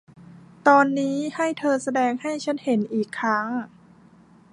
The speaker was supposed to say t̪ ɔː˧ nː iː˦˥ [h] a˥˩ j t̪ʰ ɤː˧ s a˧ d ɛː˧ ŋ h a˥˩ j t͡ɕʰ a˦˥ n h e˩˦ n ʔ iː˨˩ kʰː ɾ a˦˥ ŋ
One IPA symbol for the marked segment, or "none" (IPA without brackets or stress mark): h